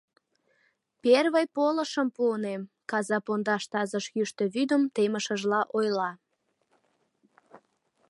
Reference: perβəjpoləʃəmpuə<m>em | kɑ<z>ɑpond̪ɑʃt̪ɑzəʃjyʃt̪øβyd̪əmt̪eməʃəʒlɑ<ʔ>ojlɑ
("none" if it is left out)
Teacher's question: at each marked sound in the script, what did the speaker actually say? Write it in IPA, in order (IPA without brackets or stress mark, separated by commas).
n, z, ʔ